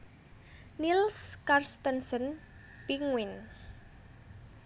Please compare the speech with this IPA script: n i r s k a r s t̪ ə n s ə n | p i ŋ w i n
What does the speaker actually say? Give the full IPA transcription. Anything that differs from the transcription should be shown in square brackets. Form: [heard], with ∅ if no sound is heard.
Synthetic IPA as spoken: n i [l] s k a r s t̪ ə n s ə n | p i ŋ w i n